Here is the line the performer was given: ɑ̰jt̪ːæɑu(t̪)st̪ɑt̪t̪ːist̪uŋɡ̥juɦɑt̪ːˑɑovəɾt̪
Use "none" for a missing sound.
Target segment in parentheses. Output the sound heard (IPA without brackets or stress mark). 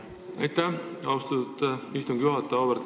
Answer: none